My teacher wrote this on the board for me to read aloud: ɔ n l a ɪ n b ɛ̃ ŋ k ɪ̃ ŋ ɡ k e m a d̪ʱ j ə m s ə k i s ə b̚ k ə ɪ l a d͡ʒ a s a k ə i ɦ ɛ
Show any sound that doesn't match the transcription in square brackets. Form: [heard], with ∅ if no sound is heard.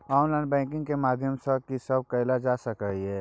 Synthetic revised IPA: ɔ n l a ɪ n b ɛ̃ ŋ k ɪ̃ ŋ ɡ k e m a d̪ʱ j ə m s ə k i s ə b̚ k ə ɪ l a d͡ʒ a s [ə] k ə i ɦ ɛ